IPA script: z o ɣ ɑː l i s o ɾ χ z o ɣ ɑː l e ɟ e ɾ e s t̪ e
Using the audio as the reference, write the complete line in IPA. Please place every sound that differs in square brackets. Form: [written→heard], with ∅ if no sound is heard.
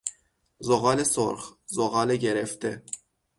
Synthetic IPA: z o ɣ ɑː l [i→e] s o ɾ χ z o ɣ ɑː l e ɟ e ɾ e [s→f] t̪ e